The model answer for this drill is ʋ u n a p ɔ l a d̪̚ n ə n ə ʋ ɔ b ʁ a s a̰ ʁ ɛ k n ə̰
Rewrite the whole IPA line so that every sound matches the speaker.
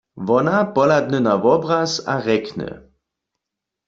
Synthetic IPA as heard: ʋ ɔ n a p ɔ l a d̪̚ n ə n a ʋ ɔ b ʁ a s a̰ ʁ ɛ k n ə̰